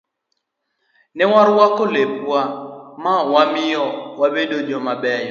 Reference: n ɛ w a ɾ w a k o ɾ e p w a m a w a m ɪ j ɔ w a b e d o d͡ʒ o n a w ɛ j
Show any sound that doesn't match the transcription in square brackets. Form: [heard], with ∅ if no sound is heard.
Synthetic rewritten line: n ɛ w a ɾ w a k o [l] e p w a m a w a m ɪ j ɔ w a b e d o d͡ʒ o [m] a [b] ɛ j

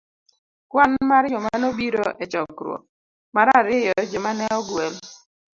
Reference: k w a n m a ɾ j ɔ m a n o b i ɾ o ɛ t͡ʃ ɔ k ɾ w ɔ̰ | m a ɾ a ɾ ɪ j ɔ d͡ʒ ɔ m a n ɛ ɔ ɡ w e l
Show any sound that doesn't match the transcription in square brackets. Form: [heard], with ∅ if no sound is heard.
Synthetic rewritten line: k w a n m a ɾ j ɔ m a n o b i ɾ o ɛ t͡ʃ ɔ k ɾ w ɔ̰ | m a ɾ a ɾ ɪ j ɔ d͡ʒ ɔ m a n ɛ ɔ ɡ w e l

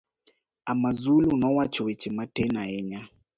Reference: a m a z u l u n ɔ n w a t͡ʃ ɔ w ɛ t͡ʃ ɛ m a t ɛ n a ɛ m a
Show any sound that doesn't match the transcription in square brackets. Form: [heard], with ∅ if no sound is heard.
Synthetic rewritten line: a m a z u l u n ɔ [∅] w a t͡ʃ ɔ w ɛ t͡ʃ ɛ m a t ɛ n a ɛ [ɲ] a

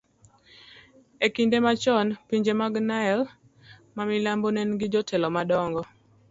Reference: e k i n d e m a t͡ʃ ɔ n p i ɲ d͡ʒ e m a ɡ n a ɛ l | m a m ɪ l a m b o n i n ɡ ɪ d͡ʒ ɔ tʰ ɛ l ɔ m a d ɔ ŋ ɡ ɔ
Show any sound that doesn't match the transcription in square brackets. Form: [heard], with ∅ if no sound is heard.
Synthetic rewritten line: e k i n d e m a t͡ʃ ɔ n p i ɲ d͡ʒ e m a ɡ n a ɛ l | m a m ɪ l a m b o n [ɛ] n ɡ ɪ d͡ʒ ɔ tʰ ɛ l ɔ m a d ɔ ŋ ɡ ɔ

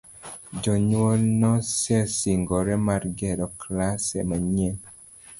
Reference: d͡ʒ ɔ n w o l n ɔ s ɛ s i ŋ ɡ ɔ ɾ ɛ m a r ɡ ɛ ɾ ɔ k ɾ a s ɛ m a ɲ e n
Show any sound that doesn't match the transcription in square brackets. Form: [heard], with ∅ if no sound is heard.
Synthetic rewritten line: d͡ʒ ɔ [ɲ] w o l n ɔ s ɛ s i ŋ ɡ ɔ ɾ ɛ m a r ɡ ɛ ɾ ɔ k [l] a s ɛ m a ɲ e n

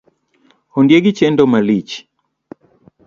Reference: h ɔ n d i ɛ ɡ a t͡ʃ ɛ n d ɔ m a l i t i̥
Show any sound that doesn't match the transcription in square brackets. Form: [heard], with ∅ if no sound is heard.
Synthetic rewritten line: h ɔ n d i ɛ ɡ [i] t͡ʃ ɛ n d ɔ m a l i [t͡ʃ] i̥

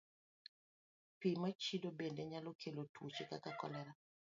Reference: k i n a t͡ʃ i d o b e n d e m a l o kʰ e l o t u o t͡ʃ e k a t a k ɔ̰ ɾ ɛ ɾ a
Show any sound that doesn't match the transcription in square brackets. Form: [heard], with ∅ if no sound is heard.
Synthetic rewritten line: [p] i [m] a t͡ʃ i d o b e n d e [ɲ] a l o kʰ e l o t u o t͡ʃ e k a [k] a k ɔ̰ [l] ɛ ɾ a

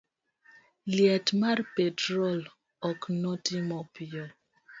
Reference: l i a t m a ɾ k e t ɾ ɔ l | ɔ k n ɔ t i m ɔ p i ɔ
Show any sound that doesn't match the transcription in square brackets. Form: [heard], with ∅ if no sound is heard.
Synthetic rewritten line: l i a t m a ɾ [p] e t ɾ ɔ l | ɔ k n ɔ t i m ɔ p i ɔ

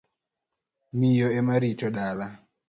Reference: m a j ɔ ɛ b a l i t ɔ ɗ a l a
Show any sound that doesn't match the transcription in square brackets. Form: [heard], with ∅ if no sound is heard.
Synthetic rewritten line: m [i] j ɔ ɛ [m] a [ɾ] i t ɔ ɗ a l a

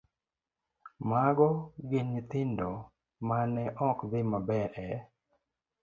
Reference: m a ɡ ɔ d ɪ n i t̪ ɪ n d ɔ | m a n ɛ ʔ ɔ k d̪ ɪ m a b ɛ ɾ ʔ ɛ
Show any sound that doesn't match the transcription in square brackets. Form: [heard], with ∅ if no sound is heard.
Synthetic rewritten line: m a ɡ ɔ [ɡ] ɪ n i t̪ ɪ n d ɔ | m a n ɛ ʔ ɔ k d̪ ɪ m a b ɛ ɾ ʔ ɛ

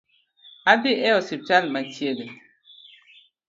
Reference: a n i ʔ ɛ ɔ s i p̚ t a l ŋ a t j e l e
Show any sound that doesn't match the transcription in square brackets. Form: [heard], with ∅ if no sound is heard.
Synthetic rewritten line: a [d] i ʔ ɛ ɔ s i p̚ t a l [m] a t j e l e

